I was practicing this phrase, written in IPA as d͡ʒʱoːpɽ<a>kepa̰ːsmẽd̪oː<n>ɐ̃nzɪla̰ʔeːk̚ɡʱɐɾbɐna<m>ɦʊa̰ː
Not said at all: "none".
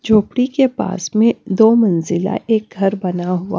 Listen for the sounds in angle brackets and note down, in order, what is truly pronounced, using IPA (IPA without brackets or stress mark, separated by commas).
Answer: i, m, none